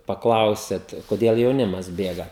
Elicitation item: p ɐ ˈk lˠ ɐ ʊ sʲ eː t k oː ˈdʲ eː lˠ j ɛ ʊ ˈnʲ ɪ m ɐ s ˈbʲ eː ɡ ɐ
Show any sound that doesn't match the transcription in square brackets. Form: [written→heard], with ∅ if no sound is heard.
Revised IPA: p ɐ ˈk lˠ ɐ ʊ sʲ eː t k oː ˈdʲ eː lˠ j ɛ ʊ ˈnʲ ɪ m ɐ s ˈbʲ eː ɡ ɐ